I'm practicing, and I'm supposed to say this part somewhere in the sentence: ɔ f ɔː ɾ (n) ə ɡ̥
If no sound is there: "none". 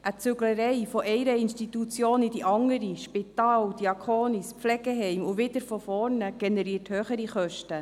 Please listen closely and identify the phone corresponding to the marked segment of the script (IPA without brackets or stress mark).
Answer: n